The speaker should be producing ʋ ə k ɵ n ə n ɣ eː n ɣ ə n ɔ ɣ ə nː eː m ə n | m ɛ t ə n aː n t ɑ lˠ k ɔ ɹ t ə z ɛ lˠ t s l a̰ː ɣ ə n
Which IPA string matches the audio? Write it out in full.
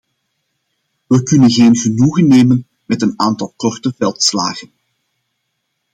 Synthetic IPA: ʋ ə k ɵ n ə n ɣ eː n ɣ ə n u ɣ ə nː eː m ə n | m ɛ t ə n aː n t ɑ lˠ k ɔ r t ə v ɛ lˠ t s l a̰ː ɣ ə n